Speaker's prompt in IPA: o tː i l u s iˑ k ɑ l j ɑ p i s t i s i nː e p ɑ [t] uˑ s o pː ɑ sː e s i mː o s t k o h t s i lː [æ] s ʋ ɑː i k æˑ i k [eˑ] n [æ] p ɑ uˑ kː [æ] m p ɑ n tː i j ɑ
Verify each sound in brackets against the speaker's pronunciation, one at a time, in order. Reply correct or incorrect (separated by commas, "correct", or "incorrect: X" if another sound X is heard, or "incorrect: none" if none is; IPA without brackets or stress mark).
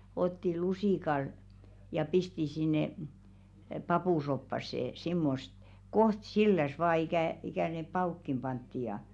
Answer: incorrect: p, correct, incorrect: æˑ, incorrect: e, incorrect: i